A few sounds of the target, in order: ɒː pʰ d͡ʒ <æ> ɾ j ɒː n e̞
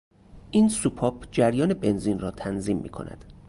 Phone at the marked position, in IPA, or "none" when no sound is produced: æ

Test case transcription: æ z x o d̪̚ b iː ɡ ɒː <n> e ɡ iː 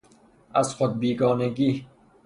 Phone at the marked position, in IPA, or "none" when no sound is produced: n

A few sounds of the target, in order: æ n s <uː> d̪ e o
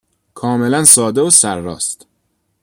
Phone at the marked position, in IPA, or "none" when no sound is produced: ɒː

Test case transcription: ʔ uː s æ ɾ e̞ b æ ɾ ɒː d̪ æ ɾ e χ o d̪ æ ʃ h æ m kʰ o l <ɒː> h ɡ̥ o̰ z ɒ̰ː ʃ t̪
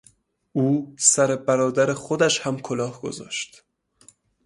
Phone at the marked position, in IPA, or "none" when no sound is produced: ɒː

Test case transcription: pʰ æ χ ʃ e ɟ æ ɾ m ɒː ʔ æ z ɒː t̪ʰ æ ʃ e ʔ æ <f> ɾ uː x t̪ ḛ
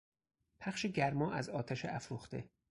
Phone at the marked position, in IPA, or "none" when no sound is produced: f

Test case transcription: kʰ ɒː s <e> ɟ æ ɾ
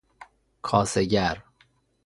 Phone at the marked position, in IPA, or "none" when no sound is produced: e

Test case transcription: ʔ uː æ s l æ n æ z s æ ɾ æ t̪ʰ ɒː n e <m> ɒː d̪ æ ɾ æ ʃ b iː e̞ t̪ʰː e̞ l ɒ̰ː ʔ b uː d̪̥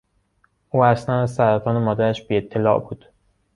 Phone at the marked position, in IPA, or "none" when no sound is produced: m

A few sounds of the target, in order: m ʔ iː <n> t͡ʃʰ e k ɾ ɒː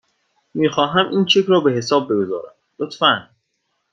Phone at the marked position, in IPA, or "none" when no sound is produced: n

